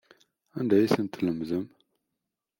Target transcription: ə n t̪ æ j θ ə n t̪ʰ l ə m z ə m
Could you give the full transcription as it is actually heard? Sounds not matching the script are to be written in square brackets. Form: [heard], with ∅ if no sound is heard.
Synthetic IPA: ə n [d̪] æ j [s] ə n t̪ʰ l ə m z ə m